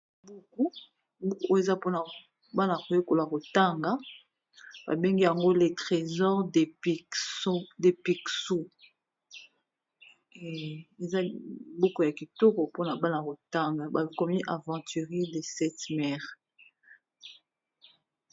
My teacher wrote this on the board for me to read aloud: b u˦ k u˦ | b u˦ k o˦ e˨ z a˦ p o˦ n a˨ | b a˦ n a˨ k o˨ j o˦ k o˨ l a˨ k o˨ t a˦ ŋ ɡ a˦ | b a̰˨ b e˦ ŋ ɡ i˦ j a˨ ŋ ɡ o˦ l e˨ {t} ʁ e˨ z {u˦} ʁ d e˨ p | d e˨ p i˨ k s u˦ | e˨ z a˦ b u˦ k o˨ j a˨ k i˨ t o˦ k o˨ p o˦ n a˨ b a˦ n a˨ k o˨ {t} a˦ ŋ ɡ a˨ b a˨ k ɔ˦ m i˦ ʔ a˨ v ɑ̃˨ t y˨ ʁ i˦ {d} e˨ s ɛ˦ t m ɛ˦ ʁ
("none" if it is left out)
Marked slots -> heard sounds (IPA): t, ɔ˦, t, d

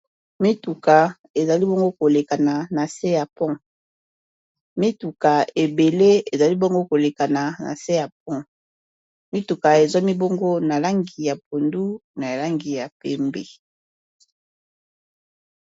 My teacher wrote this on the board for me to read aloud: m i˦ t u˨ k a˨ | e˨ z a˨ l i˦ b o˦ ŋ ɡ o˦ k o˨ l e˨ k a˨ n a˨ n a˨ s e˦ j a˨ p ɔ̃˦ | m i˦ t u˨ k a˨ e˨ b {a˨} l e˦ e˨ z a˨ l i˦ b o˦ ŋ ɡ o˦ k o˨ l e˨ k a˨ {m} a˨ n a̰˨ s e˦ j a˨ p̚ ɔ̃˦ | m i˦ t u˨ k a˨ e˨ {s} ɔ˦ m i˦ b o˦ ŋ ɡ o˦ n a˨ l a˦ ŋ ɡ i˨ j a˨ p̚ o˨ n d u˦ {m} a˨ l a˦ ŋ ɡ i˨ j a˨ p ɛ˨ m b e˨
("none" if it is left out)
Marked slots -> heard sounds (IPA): e˨, n, z, n

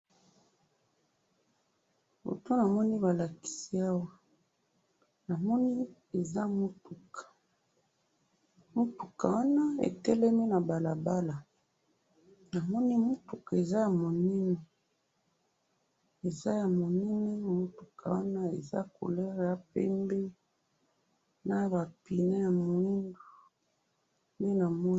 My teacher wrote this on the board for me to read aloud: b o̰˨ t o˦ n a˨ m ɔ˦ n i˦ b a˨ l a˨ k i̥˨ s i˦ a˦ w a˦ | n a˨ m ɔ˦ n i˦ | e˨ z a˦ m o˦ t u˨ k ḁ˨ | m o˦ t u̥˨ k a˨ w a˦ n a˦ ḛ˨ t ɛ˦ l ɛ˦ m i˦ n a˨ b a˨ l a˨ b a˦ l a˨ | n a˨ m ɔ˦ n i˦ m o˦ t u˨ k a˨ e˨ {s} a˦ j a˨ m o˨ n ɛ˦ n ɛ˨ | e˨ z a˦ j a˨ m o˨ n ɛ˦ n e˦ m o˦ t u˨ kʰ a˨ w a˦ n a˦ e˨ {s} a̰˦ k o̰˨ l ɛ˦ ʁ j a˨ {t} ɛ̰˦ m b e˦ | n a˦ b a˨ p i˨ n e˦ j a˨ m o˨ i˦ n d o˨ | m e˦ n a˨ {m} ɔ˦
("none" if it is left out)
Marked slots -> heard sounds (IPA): z, z, p, m

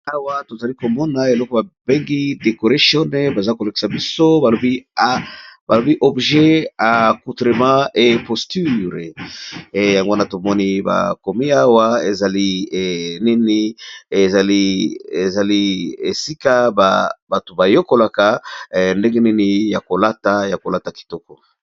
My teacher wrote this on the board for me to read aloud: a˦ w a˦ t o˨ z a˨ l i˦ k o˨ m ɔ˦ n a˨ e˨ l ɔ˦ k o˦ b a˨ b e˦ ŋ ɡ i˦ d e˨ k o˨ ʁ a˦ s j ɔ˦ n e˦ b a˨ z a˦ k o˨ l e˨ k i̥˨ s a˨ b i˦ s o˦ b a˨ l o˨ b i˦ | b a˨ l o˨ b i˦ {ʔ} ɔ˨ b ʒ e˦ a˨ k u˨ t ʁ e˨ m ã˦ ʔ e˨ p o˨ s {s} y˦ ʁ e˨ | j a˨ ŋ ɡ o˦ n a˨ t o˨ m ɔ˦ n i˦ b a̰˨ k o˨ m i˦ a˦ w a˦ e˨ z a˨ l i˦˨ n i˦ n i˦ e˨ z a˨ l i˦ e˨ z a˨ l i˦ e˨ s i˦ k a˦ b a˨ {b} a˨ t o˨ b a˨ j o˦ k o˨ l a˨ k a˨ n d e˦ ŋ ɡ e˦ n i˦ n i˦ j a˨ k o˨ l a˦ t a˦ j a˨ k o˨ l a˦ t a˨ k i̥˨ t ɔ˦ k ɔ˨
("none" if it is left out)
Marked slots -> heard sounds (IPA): ʔ, t, b

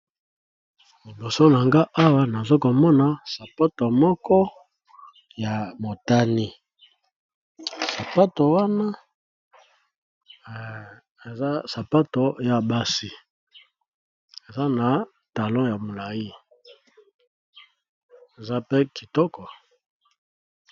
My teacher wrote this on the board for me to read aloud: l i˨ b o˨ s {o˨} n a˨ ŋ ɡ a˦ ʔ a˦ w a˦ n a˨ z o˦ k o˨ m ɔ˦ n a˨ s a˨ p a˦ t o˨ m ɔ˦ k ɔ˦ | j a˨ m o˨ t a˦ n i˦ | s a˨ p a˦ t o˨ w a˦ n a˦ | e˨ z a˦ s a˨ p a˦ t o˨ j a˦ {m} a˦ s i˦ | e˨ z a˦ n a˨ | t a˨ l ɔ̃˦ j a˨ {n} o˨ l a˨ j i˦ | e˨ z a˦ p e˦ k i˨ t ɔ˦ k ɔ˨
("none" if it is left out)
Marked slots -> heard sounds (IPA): o˦, b, m

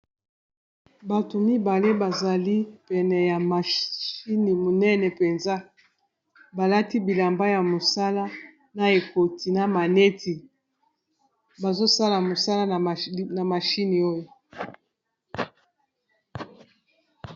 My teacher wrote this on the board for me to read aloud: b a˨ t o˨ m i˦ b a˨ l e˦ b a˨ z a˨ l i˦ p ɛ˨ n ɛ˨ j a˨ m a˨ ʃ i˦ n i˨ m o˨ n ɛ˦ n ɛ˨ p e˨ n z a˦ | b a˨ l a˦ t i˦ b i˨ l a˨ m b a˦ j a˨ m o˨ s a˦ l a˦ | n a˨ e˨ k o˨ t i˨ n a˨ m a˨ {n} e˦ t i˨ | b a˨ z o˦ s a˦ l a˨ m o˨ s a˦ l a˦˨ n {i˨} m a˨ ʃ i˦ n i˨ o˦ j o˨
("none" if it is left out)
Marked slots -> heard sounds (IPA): n, a˨

